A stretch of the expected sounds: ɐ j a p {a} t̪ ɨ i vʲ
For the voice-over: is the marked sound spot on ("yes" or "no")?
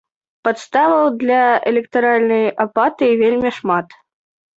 yes